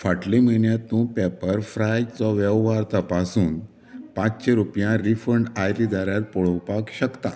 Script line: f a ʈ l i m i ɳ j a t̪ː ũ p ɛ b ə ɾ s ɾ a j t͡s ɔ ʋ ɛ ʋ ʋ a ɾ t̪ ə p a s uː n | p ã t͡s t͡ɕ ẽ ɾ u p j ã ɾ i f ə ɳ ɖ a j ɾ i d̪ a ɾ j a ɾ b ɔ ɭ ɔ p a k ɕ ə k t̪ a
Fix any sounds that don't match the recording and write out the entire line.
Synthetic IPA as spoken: f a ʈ l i m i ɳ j a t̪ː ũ p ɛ p ə ɾ f ɾ a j t͡s ɔ ʋ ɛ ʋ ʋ a ɾ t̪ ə p a s uː n | p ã t͡s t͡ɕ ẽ ɾ u p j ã ɾ i f ə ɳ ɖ a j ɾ i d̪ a ɾ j a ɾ p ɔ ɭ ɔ p a k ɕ ə k t̪ a